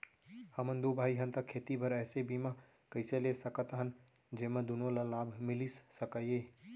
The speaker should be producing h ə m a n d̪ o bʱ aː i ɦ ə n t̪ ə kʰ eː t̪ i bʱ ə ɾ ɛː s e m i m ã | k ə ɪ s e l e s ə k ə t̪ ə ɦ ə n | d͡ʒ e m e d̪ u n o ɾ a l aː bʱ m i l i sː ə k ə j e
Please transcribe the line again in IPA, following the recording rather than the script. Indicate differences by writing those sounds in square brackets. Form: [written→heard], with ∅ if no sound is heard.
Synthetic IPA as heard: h ə m [a→ə] n d̪ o bʱ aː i ɦ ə n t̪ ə kʰ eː t̪ i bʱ ə ɾ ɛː s e [m→b] i m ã | k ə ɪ s e l e s ə k ə t̪ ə ɦ ə n | d͡ʒ e m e d̪ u n o [ɾ→l] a l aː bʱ m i l i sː ə k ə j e